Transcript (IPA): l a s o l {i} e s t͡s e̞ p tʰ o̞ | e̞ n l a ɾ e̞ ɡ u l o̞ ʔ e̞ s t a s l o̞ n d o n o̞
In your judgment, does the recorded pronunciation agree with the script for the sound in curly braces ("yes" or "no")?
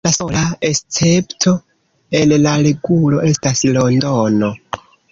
no